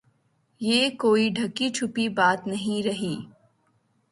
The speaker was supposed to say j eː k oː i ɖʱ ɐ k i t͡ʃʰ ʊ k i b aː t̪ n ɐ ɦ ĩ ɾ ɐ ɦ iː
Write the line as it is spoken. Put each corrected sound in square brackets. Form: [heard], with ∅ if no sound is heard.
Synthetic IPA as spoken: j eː k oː i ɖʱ ɐ k i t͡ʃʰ ʊ [p] i b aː t̪ n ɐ ɦ ĩ ɾ ɐ ɦ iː